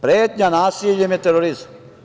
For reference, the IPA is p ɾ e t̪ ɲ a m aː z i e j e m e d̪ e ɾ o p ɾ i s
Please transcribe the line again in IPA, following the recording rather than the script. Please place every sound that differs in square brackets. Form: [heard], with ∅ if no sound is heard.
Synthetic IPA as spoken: p ɾ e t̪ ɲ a [n] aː [s] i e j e m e [t̪] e ɾ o [∅] ɾ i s